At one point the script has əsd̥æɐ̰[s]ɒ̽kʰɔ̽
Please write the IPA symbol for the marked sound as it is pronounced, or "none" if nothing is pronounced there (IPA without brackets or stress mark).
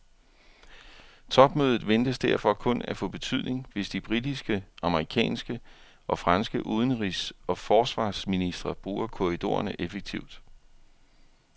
f